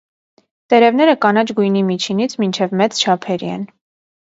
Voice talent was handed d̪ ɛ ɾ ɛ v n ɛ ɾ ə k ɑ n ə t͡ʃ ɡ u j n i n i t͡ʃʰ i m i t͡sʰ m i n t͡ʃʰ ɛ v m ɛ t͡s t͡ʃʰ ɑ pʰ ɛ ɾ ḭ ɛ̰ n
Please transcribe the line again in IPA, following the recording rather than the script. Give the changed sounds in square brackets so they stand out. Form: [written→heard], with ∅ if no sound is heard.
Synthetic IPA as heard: [d̪→t̪] ɛ ɾ ɛ v n ɛ ɾ ə k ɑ n [ə→ɑ] t͡ʃ ɡ u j n i [n→m] i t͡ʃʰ i [m→n] i t͡sʰ m i n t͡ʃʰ ɛ v m ɛ t͡s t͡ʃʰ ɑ pʰ ɛ ɾ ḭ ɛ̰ n